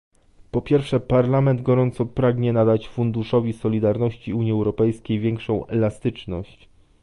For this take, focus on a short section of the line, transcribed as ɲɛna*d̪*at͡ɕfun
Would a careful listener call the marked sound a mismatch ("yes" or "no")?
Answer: no